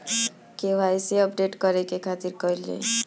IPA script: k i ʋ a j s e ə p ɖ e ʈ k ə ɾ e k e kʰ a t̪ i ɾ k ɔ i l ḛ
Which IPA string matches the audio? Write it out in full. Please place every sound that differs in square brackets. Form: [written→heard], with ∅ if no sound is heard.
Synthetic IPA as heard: k [i→e] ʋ a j s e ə p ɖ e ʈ k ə ɾ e k e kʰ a t̪ i ɾ k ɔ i l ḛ